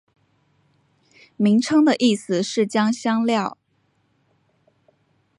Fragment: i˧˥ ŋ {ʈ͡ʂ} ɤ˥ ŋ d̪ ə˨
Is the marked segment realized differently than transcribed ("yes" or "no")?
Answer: yes